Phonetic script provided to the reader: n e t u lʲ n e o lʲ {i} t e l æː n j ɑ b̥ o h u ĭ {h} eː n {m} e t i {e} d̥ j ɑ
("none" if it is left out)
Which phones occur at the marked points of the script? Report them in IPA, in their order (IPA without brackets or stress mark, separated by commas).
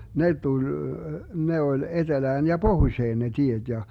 e, ʃ, n, e